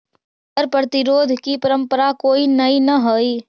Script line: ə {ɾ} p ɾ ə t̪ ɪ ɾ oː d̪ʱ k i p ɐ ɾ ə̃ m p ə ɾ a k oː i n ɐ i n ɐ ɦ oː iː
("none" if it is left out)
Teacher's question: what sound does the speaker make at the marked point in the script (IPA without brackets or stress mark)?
ɾ